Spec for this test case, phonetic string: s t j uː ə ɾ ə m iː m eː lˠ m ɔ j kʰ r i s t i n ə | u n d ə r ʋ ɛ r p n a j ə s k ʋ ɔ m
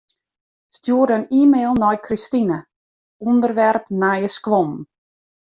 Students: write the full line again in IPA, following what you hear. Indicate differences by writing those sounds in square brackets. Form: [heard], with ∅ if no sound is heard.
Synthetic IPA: s t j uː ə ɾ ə [n] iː m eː lˠ [n] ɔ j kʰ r i s t i n ə | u n d ə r ʋ ɛ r p n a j ə s k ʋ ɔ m